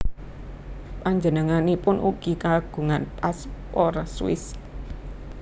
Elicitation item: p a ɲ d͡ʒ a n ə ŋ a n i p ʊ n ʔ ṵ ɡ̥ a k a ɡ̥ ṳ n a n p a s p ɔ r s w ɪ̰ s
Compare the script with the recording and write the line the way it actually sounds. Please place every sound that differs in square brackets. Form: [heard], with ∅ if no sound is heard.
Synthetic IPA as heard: p a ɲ d͡ʒ [ə] n ə ŋ a n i p ʊ n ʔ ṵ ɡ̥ [i] k a ɡ̥ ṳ [ŋ] a n p a s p ɔ r s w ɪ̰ s